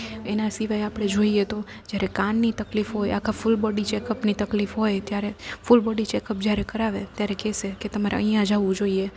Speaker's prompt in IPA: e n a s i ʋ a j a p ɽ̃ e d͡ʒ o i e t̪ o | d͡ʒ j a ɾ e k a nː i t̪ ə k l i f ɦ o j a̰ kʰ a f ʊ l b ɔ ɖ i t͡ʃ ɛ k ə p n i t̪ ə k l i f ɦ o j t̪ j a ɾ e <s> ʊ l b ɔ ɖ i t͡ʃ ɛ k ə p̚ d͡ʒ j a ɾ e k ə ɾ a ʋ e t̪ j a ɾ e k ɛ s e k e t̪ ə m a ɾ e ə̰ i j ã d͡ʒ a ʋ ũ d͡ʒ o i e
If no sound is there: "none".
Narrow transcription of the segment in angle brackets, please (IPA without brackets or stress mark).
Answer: f